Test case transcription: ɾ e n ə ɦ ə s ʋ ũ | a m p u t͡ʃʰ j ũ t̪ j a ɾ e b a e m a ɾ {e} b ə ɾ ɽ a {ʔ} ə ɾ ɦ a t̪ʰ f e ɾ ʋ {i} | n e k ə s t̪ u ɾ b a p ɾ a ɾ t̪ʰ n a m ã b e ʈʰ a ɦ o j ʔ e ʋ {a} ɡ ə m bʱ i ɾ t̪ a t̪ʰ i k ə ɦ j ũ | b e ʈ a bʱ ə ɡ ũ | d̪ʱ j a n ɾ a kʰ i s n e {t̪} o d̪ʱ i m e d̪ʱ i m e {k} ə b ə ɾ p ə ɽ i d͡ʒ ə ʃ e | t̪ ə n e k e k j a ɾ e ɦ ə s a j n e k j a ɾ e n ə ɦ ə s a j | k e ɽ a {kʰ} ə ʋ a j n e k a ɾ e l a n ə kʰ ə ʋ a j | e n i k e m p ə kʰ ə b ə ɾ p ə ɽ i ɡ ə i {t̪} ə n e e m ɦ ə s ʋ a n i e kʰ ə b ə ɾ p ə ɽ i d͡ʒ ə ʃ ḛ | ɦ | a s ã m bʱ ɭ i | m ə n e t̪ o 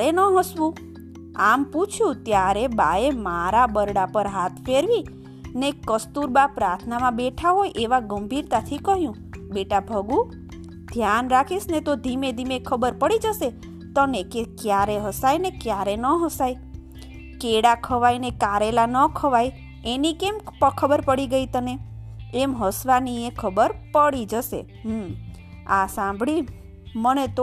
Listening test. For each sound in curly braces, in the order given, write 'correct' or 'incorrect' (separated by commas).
incorrect, incorrect, correct, correct, correct, incorrect, correct, correct